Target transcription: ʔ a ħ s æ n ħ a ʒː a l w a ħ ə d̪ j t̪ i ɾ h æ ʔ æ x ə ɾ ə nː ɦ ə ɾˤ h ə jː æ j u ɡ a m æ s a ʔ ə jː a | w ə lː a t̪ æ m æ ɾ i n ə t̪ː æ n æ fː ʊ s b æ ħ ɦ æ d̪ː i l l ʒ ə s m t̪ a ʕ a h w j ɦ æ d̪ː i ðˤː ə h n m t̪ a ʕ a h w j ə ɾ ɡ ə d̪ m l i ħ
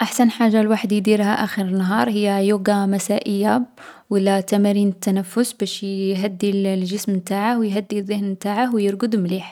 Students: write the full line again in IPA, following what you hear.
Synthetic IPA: ʔ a ħ s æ n ħ a ʒː a l w a ħ ə d̪ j d̪ i ɾ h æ ʔ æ x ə ɾ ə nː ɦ ɑ ɾˤ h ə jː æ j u ɡ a m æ s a ʔ ə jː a | w ə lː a t̪ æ m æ ɾ i n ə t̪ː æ n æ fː ʊ s b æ ʃ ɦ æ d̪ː i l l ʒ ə s m t̪ a ʕ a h w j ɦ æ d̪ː i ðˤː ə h n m t̪ a ʕ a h w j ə ɾ ɡ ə d̪ m l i ħ